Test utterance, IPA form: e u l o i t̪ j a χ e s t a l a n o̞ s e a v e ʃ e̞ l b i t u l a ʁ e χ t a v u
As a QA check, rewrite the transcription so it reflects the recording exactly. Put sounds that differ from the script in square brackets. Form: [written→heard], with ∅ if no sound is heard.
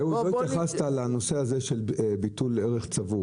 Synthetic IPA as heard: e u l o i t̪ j a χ [e→a] s t a l a n o̞ s e a [v→z] e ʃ e̞ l b i t u l [a→e] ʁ e χ [t→t͡s] a v u